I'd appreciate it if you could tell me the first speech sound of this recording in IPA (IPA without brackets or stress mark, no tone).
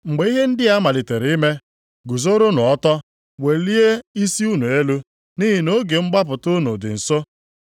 ŋ͡m̩